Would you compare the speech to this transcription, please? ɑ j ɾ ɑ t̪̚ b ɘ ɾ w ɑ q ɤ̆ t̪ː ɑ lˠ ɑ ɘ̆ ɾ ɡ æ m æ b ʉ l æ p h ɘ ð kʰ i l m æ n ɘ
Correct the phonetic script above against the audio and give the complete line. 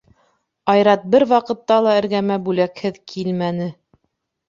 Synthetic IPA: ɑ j ɾ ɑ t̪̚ b ɘ ɾ w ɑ q ɤ̆ t̪ː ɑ lˠ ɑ ɘ̆ ɾ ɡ æ m æ b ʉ l æ k h ɘ ð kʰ i l m æ n ɘ